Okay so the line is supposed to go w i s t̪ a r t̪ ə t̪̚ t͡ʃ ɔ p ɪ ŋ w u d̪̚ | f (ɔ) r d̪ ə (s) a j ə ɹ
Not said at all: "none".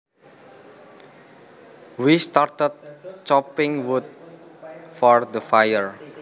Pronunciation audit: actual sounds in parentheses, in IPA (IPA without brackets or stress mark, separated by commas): ɔ, f